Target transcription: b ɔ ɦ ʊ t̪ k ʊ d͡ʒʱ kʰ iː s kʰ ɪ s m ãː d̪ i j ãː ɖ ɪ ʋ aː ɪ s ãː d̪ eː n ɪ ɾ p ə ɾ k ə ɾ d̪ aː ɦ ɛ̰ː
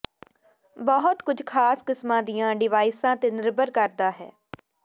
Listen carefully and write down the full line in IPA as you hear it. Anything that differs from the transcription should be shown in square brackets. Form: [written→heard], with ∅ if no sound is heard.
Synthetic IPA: b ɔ ɦ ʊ t̪ k ʊ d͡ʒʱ kʰ [iː→aː] s [kʰ→k] ɪ s m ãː d̪ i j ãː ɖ ɪ ʋ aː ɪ s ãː [d̪→t̪] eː n ɪ ɾ [p→b] ə ɾ k ə ɾ d̪ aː ɦ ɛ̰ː